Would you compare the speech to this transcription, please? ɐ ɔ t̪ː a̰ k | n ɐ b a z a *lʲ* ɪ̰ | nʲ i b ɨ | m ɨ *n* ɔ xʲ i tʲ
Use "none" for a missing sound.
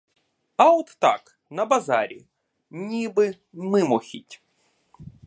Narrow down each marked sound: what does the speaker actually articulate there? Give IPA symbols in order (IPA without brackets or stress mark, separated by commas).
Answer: ɾʲ, m